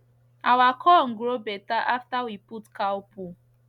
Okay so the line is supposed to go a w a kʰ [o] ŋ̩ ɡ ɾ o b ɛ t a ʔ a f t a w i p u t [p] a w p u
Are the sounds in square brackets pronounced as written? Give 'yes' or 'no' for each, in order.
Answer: no, no

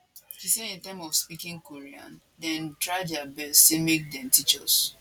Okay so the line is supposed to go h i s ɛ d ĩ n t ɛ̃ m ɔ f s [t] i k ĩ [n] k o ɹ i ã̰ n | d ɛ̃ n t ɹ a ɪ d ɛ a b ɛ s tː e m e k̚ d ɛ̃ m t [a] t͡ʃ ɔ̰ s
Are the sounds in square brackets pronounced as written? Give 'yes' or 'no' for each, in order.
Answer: no, no, no

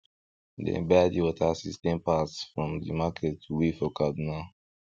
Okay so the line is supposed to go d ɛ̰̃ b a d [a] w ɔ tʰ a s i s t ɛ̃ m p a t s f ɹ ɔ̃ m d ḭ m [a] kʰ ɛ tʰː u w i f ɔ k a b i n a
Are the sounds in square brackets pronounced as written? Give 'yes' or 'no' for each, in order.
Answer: no, yes

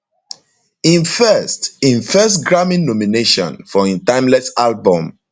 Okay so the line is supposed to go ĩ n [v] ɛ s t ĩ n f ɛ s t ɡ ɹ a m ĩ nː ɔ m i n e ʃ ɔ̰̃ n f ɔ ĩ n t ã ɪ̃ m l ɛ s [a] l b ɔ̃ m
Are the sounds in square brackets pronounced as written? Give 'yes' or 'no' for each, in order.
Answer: no, yes

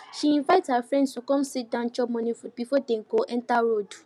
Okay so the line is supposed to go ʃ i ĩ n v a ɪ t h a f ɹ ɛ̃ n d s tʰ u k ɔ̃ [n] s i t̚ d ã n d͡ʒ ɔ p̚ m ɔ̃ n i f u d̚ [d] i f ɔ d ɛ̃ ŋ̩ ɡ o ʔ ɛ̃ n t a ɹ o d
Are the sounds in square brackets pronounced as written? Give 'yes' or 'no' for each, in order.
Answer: no, no

